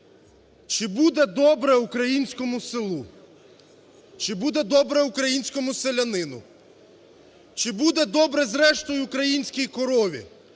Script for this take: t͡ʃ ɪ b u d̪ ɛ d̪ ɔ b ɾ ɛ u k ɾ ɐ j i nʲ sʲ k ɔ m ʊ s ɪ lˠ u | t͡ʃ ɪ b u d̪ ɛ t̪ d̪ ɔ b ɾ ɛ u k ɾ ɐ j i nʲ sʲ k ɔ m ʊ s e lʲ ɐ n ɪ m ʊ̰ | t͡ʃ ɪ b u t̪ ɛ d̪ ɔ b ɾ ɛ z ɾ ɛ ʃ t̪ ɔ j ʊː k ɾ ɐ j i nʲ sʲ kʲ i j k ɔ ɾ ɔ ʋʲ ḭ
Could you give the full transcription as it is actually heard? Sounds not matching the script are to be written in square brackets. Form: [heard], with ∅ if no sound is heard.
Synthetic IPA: t͡ʃ ɪ b u d̪ ɛ d̪ ɔ b ɾ ɛ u k ɾ ɐ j i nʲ sʲ k ɔ m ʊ s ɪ lˠ u | t͡ʃ ɪ b u d̪ ɛ [∅] d̪ ɔ b ɾ ɛ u k ɾ ɐ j i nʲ sʲ k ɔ m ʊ s e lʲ ɐ n ɪ [n] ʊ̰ | t͡ʃ ɪ b u [d̪] ɛ d̪ ɔ b ɾ ɛ z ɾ ɛ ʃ t̪ ɔ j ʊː k ɾ ɐ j i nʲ sʲ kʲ i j k ɔ ɾ ɔ ʋʲ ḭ

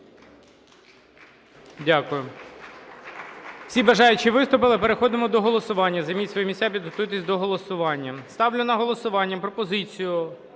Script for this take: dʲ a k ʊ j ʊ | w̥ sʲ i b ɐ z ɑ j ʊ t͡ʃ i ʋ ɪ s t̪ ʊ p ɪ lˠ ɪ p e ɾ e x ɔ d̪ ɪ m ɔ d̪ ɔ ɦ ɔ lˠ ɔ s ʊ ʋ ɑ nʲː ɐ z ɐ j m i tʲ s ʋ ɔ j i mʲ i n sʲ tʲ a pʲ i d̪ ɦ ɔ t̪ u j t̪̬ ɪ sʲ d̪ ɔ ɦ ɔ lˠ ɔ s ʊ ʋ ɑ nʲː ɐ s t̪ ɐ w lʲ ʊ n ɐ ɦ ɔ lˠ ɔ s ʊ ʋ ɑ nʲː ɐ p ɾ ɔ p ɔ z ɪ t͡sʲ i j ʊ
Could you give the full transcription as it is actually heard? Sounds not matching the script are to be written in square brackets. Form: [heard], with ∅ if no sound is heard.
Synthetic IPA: dʲ a k ʊ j ʊ | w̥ sʲ i b ɐ [ʒ] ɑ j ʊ t͡ʃ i ʋ ɪ s t̪ ʊ p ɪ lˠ ɪ p e ɾ e x ɔ d̪ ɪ m ɔ d̪ ɔ ɦ ɔ lˠ ɔ s ʊ ʋ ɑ nʲː ɐ z ɐ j m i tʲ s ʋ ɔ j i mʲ i [∅] sʲ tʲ a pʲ i d̪ ɦ ɔ t̪ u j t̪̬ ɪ sʲ d̪ ɔ ɦ ɔ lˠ ɔ s ʊ ʋ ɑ nʲː ɐ s t̪ [ɑ] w lʲ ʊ n ɐ ɦ ɔ lˠ ɔ s ʊ ʋ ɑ nʲː ɐ p ɾ ɔ p ɔ z ɪ t͡sʲ i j ʊ

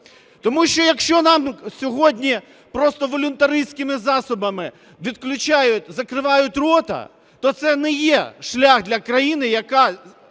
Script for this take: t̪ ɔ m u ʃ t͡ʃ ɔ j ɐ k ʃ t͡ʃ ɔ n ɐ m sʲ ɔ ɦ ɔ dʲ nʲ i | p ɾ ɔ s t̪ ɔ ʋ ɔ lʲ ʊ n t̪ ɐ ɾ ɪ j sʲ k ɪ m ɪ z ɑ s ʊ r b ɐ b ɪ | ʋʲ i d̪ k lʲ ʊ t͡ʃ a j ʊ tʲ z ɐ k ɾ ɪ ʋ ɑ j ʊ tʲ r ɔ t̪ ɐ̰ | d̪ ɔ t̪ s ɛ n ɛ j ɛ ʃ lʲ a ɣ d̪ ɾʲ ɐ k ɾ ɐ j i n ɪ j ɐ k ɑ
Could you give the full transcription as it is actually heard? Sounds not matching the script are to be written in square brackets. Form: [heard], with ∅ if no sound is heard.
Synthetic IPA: t̪ ɔ m u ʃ t͡ʃ ɔ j ɐ k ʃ t͡ʃ ɔ n [ɑ] m sʲ ɔ ɦ ɔ dʲ nʲ i | p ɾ ɔ s t̪ ɔ ʋ ɔ lʲ ʊ n t̪ ɐ ɾ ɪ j sʲ k ɪ m ɪ z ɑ s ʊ [∅] b ɐ [m] ɪ | ʋʲ i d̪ k lʲ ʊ t͡ʃ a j ʊ tʲ z ɐ k ɾ ɪ ʋ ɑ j ʊ tʲ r ɔ t̪ ɐ̰ | [t̪] ɔ t̪ s ɛ n ɛ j ɛ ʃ lʲ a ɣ d̪ [lʲ] ɐ k ɾ ɐ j i n ɪ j ɐ k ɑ

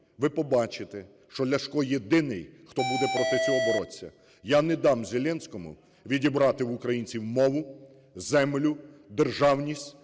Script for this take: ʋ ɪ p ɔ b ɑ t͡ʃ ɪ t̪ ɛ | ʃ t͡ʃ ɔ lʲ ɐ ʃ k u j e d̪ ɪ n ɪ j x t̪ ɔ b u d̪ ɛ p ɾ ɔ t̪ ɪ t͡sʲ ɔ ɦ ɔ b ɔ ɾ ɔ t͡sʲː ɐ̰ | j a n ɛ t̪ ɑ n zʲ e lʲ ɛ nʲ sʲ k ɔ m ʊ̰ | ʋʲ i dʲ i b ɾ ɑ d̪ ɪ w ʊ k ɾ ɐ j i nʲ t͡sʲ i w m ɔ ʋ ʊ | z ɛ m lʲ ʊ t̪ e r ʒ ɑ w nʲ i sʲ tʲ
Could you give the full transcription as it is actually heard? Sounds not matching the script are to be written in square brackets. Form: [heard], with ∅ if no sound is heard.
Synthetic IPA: ʋ ɪ p ɔ b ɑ t͡ʃ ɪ t̪ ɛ | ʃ t͡ʃ ɔ lʲ ɐ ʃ k [ɔ] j e d̪ ɪ n ɪ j x t̪ ɔ b u d̪ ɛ p ɾ ɔ t̪ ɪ t͡sʲ ɔ ɦ ɔ b ɔ ɾ ɔ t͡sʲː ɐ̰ | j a n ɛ [d̪] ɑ [m] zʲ e lʲ ɛ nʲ sʲ k ɔ m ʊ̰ | ʋʲ i dʲ i b ɾ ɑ [t̪] ɪ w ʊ k ɾ ɐ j i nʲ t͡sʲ i w m ɔ ʋ ʊ | z ɛ m lʲ ʊ [d̪] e r ʒ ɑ w nʲ i sʲ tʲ

